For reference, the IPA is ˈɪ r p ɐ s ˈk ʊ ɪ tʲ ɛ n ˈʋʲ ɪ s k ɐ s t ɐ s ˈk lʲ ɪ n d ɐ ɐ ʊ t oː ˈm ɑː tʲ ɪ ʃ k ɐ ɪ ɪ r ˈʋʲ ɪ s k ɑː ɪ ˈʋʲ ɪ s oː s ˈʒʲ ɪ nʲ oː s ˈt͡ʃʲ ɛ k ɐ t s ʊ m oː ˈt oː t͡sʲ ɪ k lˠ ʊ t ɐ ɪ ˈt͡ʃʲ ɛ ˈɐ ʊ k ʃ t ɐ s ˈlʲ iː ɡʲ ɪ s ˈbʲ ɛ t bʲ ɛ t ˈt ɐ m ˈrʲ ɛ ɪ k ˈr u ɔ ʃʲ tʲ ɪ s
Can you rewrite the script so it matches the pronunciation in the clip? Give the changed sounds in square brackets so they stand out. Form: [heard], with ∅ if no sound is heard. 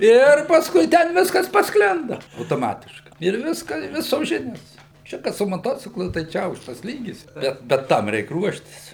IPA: ˈɪ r p ɐ s ˈk ʊ ɪ tʲ ɛ n ˈʋʲ ɪ s k ɐ s [p] ɐ s ˈk lʲ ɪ n d ɐ ɐ ʊ t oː ˈm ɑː tʲ ɪ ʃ k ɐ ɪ ɪ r ˈʋʲ ɪ s k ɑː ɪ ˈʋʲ ɪ s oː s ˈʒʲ ɪ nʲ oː s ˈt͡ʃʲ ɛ k ɐ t s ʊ m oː ˈt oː t͡sʲ ɪ k lˠ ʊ t ɐ ɪ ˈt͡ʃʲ ɛ ˈɐ ʊ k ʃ t ɐ s ˈlʲ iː ɡʲ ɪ s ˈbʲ ɛ t bʲ ɛ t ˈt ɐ m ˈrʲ ɛ ɪ k ˈr u ɔ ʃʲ tʲ ɪ s